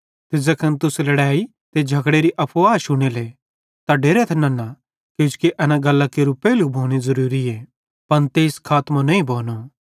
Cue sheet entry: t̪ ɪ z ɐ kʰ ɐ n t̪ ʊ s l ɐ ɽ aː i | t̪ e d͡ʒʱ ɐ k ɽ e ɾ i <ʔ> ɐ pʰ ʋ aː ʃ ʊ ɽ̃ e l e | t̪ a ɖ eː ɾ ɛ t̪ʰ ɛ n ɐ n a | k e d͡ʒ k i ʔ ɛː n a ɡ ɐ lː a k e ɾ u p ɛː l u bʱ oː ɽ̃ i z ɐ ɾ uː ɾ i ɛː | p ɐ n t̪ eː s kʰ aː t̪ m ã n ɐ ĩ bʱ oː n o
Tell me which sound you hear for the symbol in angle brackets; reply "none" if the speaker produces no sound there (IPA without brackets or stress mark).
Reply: ʔ